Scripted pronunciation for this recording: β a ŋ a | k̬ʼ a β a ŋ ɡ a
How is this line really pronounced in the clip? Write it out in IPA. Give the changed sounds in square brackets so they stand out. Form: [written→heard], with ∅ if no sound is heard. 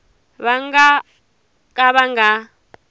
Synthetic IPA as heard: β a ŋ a | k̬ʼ a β a ŋ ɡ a